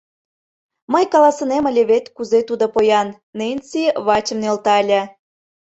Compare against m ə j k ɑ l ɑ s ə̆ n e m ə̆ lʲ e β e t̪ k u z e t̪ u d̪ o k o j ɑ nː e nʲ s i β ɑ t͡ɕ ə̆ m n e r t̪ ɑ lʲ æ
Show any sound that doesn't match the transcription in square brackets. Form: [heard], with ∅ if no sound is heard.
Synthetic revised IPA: m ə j k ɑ l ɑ s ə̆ n e m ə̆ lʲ e β e t̪ k u z e t̪ u d̪ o [p] o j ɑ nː e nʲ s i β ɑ t͡ɕ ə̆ m n e [l] t̪ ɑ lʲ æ